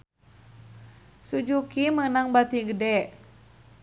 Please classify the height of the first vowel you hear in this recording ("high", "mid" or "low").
high